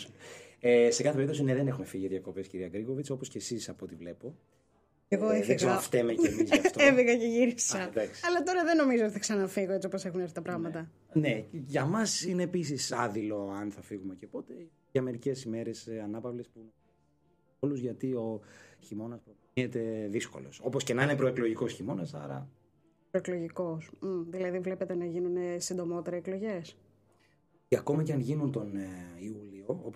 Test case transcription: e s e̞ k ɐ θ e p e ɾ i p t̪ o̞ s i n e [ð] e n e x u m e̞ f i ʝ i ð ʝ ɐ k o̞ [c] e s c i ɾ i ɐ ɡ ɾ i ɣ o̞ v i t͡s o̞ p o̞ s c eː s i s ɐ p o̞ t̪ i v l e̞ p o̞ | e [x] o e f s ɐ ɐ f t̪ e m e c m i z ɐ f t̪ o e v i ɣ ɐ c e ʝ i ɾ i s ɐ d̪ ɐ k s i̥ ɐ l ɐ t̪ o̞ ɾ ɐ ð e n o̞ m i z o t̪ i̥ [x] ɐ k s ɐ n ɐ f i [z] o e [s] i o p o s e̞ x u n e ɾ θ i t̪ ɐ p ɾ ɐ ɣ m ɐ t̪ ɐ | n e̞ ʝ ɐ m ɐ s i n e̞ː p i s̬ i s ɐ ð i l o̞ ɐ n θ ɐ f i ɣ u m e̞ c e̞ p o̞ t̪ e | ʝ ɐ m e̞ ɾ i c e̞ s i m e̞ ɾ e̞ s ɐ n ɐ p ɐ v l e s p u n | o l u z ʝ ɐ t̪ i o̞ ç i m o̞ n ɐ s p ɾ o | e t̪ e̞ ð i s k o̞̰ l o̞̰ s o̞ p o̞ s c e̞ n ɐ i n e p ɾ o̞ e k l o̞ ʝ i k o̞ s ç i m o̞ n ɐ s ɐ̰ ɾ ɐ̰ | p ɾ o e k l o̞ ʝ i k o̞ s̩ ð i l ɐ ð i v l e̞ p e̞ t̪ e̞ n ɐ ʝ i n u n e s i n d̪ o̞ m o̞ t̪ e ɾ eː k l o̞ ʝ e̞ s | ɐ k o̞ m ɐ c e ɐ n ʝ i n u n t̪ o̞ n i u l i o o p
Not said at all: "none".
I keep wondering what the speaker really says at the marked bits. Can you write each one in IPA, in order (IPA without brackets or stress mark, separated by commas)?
ð, p, ɣ, θ, ɣ, t͡s